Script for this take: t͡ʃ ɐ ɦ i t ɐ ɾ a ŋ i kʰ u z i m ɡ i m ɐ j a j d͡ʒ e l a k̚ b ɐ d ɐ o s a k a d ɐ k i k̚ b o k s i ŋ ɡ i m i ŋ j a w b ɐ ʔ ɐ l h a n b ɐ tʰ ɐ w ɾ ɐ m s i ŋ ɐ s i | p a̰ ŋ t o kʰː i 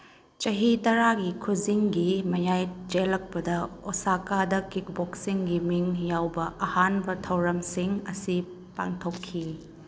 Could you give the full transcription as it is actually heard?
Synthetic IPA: t͡ʃ ɐ ɦ i t ɐ ɾ a ɡ i kʰ u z i ŋ ɡ i m ɐ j a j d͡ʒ e l ɐ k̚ p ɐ d ɐ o s a k a d ɐ k i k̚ b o k s i ŋ ɡ i m i ŋ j a w b ɐ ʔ ɐ h a n b ɐ tʰ ɐ w ɾ ɐ m s i ŋ ɐ s i | p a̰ ŋ tʰ o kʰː i